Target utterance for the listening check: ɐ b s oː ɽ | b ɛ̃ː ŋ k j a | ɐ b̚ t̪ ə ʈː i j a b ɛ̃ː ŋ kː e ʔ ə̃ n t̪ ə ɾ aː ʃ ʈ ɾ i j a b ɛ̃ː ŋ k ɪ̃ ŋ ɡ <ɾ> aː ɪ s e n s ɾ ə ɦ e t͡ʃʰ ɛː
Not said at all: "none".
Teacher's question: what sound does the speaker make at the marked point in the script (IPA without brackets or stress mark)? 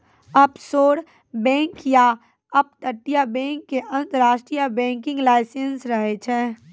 l